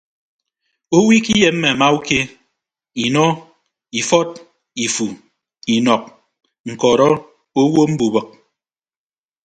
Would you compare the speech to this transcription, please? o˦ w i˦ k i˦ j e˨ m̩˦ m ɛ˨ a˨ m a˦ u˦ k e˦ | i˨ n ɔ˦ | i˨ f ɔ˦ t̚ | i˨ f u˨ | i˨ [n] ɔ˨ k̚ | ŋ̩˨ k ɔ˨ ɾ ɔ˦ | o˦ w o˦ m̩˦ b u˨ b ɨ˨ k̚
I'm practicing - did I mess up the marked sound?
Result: no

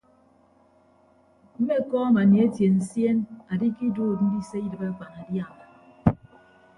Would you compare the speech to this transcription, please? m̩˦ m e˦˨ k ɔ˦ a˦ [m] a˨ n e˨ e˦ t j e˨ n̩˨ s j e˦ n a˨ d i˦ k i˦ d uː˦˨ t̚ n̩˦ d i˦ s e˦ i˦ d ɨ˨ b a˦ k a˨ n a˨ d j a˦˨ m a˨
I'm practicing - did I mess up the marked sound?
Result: no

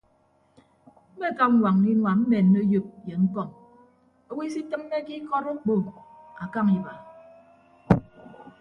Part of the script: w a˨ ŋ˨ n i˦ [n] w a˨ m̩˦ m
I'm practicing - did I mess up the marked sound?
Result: no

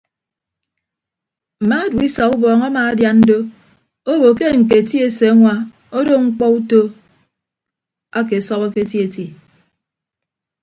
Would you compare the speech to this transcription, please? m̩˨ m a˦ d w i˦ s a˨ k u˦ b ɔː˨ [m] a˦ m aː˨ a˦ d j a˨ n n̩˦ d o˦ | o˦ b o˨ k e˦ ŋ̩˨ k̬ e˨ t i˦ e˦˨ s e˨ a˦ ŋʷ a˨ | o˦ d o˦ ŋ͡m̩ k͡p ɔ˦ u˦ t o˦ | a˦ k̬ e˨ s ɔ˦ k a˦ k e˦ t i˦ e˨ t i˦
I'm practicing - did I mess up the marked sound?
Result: yes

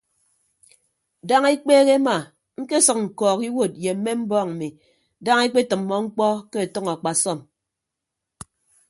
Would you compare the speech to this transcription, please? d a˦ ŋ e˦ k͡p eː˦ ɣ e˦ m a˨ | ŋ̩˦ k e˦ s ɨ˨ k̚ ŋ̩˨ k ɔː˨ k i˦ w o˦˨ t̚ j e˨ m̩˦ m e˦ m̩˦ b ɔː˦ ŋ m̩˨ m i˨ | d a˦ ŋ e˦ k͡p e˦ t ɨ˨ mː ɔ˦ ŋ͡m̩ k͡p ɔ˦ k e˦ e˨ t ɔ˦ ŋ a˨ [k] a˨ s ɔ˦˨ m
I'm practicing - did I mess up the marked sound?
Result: yes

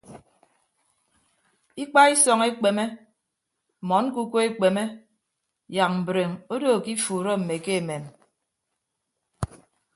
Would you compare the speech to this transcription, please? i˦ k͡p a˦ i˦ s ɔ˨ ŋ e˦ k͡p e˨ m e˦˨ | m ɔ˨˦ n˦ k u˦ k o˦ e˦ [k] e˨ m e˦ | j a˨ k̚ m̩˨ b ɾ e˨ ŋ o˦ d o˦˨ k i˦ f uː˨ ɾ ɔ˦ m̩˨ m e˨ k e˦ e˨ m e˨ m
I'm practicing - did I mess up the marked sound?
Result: yes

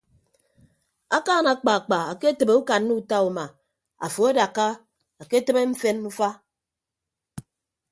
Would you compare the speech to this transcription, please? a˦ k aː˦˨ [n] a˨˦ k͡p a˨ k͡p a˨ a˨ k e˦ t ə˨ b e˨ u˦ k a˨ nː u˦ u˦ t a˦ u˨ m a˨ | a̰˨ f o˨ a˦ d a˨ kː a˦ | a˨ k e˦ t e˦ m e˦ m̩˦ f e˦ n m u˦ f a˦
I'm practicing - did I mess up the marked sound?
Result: no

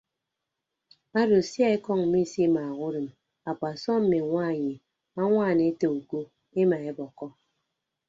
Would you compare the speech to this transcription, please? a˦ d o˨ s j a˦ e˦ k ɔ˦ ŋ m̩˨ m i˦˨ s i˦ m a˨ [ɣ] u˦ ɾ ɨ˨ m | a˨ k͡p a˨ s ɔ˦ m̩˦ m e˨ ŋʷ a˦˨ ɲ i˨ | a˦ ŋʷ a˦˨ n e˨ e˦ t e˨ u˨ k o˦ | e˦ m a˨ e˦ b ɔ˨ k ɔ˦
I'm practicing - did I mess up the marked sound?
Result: no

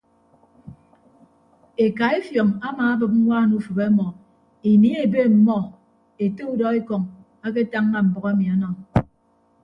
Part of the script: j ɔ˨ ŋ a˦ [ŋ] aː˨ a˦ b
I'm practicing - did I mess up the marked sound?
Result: yes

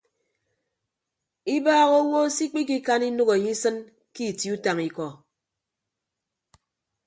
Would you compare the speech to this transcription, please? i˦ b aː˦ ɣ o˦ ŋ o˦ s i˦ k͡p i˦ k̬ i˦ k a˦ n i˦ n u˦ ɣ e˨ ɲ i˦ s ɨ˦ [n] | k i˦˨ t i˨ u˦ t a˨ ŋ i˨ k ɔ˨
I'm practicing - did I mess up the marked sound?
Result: no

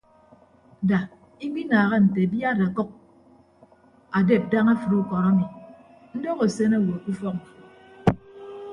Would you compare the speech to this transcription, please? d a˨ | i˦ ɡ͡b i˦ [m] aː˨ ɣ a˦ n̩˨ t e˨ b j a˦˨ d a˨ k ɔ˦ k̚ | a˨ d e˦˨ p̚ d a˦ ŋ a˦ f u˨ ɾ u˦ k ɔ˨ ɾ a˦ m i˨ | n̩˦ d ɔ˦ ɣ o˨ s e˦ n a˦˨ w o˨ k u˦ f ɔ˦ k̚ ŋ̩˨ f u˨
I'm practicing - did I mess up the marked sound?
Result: yes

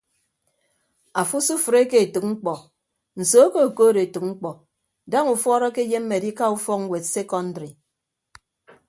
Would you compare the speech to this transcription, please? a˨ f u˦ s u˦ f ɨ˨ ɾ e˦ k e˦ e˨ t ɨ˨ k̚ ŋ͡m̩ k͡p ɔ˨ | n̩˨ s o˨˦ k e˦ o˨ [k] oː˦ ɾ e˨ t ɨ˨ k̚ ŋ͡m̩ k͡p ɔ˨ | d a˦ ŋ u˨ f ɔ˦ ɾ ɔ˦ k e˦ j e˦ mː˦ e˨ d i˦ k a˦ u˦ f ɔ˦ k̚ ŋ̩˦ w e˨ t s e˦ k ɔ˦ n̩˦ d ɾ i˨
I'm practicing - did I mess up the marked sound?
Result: no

